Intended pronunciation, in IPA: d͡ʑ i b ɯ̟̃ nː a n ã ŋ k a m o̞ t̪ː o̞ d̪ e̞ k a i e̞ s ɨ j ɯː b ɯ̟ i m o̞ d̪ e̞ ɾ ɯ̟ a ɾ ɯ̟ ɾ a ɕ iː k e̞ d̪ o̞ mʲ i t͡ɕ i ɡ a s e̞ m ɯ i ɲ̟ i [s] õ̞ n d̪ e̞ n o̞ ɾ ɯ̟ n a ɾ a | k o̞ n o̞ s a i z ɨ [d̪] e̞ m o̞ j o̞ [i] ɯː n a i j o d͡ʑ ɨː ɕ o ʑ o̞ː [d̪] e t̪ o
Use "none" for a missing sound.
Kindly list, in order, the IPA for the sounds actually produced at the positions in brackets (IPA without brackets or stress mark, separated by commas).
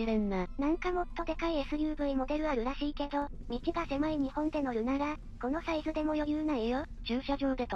h, d̪, j, d̪